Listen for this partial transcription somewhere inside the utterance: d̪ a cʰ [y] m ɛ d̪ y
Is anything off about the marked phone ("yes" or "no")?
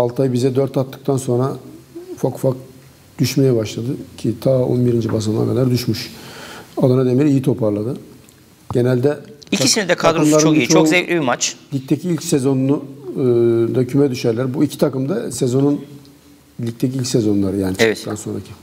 no